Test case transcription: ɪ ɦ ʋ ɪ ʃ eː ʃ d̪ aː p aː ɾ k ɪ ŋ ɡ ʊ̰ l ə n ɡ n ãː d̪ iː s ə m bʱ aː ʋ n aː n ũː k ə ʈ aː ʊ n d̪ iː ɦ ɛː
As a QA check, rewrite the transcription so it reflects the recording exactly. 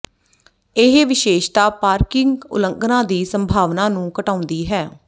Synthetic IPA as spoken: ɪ ɦ ʋ ɪ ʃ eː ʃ t̪ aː p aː ɾ k ɪ ŋ ɡ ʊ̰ l ə ŋ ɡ n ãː d̪ iː s ə m bʱ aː ʋ n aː n ũː k ə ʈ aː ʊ n d̪ iː ɦ ɛː